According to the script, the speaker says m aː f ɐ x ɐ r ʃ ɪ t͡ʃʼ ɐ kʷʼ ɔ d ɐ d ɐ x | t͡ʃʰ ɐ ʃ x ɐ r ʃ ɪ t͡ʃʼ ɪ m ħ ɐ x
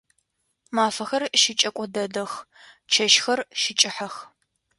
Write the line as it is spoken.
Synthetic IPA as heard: m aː f ɐ x ɐ r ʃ ɪ t͡ʃʼ ɐ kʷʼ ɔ d ɐ d ɐ x | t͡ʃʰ ɐ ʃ x ɐ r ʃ ɪ t͡ʃʼ ɪ ħ ɐ x